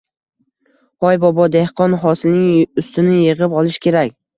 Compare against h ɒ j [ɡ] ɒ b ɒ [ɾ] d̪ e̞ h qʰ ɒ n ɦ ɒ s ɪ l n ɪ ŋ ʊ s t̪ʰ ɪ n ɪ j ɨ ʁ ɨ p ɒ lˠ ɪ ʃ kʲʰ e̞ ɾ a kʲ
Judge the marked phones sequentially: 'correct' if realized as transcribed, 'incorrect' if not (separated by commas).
incorrect, incorrect